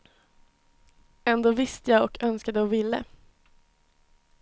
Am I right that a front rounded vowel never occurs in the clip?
no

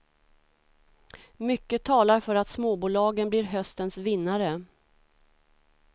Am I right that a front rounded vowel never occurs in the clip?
no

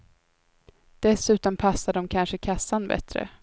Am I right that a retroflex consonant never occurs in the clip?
no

